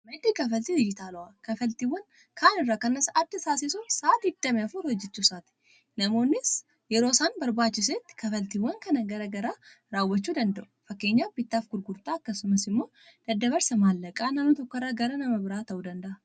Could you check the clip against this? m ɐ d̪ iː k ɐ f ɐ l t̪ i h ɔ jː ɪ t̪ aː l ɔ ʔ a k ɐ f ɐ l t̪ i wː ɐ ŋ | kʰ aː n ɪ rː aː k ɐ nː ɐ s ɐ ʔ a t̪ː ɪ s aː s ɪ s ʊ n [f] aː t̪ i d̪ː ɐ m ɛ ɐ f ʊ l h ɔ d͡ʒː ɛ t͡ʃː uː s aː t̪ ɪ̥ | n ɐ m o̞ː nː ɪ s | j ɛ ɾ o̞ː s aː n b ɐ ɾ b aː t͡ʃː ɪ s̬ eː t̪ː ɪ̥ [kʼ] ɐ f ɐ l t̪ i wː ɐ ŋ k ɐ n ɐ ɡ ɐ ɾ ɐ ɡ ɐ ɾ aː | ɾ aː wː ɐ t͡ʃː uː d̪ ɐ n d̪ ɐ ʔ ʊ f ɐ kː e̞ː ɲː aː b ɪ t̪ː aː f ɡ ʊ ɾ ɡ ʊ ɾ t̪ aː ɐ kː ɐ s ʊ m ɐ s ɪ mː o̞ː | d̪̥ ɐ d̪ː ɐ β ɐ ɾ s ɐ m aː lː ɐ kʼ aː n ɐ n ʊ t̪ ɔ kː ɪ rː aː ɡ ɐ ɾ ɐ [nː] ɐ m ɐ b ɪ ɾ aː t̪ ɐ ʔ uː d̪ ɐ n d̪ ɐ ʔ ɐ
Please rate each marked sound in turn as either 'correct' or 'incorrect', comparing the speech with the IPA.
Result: incorrect, incorrect, incorrect

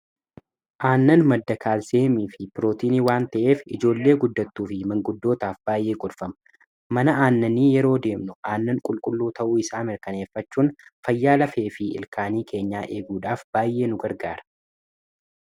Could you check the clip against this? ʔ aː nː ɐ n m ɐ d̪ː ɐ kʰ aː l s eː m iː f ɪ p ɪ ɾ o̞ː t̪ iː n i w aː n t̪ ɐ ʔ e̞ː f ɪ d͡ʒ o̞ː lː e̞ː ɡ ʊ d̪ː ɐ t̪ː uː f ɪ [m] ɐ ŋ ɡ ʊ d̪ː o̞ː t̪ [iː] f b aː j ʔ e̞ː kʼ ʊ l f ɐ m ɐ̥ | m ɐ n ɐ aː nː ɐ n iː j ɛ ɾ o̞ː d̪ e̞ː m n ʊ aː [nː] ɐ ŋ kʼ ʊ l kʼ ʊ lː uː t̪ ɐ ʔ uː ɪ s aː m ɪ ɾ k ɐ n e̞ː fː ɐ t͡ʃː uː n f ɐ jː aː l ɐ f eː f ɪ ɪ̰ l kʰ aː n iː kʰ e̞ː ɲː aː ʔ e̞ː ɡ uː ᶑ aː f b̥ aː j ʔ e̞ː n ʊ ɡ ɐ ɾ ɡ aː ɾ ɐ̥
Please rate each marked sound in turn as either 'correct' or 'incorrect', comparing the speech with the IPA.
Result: correct, incorrect, correct

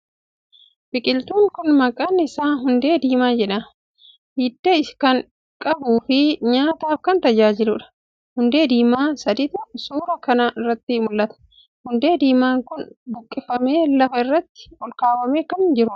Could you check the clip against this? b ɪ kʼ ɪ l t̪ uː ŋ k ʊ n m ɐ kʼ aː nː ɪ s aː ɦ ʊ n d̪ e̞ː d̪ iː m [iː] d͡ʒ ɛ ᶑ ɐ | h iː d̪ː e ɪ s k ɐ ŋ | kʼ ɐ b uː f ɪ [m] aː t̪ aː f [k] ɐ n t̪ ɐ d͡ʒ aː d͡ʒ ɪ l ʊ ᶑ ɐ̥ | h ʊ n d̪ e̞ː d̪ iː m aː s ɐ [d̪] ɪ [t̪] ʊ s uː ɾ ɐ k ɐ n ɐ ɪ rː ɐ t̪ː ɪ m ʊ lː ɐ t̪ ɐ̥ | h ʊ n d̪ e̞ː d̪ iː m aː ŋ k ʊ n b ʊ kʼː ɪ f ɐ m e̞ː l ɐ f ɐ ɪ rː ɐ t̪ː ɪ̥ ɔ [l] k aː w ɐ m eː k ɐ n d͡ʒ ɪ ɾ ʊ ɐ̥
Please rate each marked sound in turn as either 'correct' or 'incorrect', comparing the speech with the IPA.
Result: incorrect, incorrect, correct, correct, correct, correct

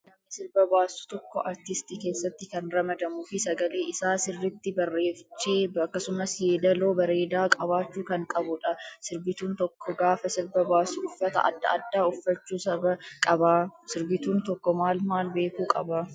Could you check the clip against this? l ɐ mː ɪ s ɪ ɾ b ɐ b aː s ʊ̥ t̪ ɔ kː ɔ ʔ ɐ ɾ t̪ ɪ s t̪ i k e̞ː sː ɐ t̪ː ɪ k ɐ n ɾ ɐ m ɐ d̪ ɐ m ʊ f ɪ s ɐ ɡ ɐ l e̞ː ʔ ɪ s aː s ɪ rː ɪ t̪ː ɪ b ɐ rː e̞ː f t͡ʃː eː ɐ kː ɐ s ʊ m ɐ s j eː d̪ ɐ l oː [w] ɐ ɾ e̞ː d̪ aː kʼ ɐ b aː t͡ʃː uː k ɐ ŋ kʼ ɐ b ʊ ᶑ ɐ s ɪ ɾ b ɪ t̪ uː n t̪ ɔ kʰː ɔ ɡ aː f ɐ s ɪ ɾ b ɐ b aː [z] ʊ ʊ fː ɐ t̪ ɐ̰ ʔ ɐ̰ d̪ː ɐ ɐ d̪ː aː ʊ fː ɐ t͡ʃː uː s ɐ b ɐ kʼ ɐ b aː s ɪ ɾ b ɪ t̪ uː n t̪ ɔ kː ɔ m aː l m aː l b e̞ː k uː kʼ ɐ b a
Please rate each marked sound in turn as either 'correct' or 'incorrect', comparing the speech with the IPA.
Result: incorrect, incorrect

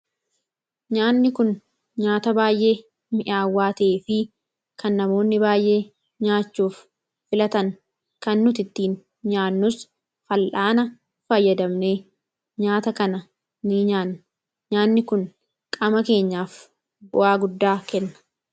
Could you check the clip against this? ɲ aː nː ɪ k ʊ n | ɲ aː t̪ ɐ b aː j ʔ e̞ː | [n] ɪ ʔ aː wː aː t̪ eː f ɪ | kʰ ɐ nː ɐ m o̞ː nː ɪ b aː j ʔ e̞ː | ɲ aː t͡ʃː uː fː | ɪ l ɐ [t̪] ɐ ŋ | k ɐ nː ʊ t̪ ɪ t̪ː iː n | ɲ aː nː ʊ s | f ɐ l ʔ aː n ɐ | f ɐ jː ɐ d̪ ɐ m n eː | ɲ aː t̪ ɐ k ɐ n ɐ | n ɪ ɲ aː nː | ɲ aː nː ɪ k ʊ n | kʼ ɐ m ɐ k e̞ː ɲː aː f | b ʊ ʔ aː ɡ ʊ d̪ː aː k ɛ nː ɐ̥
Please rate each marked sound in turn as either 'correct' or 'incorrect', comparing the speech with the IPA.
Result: incorrect, correct

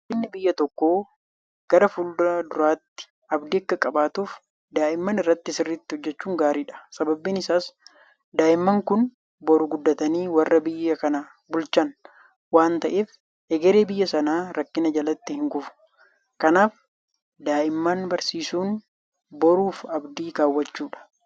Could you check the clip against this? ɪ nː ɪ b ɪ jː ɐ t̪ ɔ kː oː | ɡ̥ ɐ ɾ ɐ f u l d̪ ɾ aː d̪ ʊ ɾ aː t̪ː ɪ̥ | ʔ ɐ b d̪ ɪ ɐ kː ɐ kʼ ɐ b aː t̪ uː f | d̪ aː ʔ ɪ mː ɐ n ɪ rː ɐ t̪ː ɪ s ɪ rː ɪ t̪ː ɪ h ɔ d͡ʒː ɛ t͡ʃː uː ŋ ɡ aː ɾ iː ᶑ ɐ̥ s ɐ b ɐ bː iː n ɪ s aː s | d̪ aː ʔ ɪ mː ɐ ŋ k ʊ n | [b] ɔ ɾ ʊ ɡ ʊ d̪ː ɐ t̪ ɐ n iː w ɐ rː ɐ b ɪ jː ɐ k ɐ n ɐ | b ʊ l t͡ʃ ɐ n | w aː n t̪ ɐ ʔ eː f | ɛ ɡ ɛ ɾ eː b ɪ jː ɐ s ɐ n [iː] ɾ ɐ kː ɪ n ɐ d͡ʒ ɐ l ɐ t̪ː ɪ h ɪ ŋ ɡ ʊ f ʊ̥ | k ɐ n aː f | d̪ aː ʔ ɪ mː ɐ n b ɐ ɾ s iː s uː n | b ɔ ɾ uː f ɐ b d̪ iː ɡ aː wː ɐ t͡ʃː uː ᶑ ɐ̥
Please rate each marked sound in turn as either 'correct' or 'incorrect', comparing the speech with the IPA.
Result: correct, incorrect

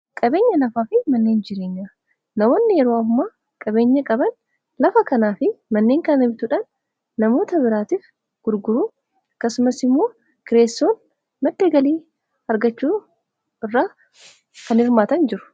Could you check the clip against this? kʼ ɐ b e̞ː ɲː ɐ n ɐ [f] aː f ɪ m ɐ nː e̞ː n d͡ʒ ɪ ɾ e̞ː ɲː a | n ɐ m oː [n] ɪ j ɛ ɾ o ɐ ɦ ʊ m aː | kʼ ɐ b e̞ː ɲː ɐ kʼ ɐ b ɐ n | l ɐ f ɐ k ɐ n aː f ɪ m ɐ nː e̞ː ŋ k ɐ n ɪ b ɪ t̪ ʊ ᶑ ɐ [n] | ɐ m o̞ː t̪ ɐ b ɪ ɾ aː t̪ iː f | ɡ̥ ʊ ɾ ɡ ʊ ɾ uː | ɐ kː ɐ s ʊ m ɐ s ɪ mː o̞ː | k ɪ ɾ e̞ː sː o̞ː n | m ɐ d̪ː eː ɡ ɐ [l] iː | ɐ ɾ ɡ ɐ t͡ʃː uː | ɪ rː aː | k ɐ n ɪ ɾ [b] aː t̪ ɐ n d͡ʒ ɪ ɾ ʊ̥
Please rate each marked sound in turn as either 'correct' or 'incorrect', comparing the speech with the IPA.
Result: correct, incorrect, incorrect, correct, incorrect

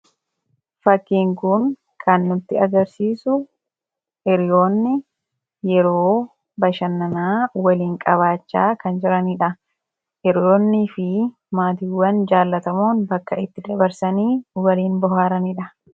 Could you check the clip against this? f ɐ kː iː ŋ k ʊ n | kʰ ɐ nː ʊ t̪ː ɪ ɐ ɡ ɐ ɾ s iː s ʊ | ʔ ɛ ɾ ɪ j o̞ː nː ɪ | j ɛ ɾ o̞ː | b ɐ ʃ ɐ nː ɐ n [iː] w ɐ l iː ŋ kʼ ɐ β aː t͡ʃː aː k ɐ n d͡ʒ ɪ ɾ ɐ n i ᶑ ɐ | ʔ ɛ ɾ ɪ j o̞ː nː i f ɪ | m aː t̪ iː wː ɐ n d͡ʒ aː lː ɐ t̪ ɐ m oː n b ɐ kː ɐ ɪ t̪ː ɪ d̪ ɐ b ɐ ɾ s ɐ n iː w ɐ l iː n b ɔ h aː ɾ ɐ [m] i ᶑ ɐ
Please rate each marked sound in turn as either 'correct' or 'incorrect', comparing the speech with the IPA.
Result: incorrect, incorrect

